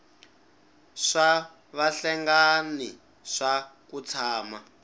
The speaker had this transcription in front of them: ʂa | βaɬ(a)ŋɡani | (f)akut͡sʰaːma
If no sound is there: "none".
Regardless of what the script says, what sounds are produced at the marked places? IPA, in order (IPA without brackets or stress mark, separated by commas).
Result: ɛ, ʂ